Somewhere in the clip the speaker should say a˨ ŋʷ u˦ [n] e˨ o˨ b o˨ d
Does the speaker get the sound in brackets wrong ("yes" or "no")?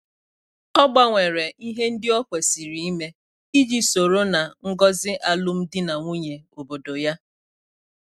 yes